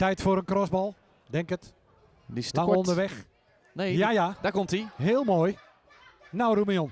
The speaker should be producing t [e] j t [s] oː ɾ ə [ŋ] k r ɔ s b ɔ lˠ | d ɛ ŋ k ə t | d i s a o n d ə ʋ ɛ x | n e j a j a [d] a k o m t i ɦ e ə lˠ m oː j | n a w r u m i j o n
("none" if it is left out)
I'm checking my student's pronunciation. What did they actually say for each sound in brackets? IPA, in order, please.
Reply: ɛ, f, n, d

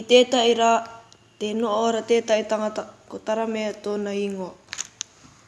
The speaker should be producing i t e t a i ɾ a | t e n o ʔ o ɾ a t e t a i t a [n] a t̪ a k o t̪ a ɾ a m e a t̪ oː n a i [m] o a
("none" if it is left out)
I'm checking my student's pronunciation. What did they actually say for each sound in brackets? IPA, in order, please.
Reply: ŋ, ŋ

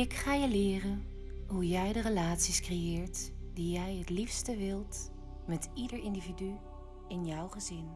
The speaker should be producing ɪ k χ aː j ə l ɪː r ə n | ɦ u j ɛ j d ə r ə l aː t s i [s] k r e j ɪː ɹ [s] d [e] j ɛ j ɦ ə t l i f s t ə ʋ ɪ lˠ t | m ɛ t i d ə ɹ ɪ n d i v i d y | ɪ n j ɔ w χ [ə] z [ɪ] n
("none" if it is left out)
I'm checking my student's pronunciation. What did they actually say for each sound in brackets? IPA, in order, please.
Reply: s, t, i, ə, ɪ

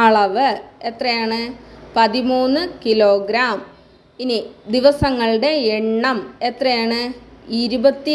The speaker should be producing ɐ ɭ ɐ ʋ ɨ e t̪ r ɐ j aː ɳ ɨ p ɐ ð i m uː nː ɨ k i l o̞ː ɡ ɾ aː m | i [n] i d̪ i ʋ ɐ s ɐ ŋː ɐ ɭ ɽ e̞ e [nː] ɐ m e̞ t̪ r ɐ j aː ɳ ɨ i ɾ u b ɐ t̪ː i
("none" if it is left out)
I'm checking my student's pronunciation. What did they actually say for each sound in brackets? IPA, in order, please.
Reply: n, ɳː

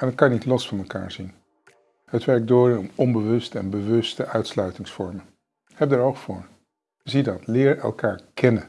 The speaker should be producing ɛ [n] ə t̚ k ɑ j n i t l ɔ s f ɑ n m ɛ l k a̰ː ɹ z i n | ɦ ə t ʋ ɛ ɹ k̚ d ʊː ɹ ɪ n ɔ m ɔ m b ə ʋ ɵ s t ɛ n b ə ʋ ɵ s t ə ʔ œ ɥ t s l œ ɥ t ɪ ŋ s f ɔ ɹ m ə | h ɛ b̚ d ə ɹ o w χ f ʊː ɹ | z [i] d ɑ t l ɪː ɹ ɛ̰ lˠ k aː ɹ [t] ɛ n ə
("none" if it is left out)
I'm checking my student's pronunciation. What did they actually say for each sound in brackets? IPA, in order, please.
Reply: n, i, k

